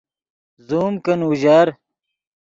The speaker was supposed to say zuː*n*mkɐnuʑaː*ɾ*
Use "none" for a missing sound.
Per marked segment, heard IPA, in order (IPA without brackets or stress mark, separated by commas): none, ɾ